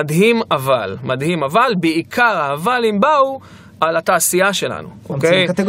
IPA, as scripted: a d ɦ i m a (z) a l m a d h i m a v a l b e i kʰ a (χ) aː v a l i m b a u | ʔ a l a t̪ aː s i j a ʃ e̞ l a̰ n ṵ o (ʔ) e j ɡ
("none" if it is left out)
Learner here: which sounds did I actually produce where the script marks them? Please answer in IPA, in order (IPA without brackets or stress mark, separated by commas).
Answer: v, ʁ, k